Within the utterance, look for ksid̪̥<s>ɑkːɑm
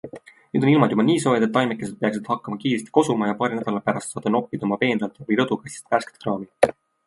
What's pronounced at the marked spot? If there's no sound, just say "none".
h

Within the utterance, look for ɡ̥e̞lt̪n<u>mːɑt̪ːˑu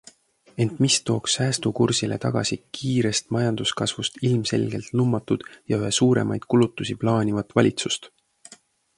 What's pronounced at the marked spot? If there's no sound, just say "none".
u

